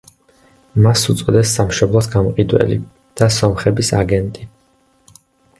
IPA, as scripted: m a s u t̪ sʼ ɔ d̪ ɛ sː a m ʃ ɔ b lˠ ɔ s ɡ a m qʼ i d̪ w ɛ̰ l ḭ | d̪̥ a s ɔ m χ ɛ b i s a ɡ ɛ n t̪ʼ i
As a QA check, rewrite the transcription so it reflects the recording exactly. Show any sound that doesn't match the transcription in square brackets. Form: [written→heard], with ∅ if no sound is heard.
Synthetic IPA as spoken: m a s u t̪ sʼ ɔ d̪ ɛ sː a m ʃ ɔ b lˠ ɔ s ɡ a m qʼ i d̪ w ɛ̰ l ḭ | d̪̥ a s ɔ m χ ɛ b i s a ɡ ɛ n t̪ʼ i